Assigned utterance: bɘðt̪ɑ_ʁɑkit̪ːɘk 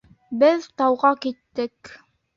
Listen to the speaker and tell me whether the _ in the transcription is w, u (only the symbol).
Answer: w